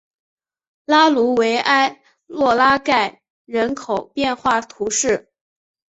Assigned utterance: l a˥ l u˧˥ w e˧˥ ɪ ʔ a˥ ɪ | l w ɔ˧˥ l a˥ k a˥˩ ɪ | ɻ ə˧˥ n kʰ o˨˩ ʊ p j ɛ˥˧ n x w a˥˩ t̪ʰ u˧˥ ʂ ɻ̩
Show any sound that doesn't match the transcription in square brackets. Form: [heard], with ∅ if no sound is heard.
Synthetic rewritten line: l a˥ l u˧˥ w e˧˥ ɪ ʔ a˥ ɪ | l w [ɔ˥˩] l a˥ k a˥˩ ɪ | ɻ ə˧˥ n kʰ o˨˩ ʊ p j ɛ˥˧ n x w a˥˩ t̪ʰ u˧˥ ʂ ɻ̩